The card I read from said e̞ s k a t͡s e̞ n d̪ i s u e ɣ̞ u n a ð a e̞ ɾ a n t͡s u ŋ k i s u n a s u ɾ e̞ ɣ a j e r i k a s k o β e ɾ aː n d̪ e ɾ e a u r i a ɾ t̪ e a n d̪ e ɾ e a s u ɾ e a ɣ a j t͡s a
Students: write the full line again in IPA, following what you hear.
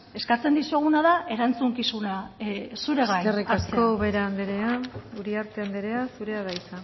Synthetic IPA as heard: e̞ s k a t͡s e̞ n d̪ i s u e ɣ̞ u n a ð a e̞ ɾ a n t͡s u ŋ k i s u n a s u ɾ e̞ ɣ a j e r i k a s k o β e ɾ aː n d̪ e ɾ e a u ɾ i a ɾ t̪ e a n d̪ e ɾ e a s u ɾ e a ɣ a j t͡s a